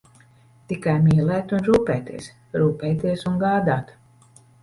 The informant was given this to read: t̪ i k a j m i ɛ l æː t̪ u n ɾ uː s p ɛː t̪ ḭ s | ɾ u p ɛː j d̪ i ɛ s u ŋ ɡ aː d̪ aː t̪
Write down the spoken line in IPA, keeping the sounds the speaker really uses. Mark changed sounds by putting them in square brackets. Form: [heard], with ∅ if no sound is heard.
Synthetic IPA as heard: t̪ i k a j m i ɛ l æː t̪ u n ɾ uː [∅] p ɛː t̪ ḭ s | ɾ [uː] p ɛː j [t̪] i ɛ s u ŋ ɡ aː d̪ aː t̪